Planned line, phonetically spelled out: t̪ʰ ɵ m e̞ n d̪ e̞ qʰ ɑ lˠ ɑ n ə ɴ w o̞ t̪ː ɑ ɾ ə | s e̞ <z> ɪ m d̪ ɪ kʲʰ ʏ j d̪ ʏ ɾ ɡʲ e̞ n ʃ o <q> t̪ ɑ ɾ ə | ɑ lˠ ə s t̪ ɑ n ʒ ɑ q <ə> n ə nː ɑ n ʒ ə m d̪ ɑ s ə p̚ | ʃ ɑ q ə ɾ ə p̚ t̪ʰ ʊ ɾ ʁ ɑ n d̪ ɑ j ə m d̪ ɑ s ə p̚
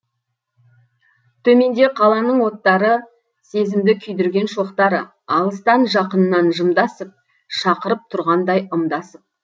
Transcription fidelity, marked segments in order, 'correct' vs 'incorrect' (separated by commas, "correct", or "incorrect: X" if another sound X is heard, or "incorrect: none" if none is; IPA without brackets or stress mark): correct, correct, correct